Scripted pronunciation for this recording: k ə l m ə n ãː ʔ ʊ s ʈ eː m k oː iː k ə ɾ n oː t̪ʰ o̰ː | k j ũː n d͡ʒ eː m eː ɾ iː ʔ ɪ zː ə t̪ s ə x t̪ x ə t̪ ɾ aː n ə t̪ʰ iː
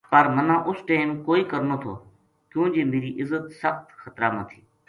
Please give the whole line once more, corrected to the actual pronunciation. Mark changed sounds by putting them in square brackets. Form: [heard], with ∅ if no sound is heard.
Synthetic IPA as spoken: [p] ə [ɾ] m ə n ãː ʔ ʊ s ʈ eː m k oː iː k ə ɾ n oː t̪ʰ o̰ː | k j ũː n d͡ʒ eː m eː ɾ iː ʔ ɪ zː ə t̪ s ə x t̪ x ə t̪ ɾ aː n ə t̪ʰ iː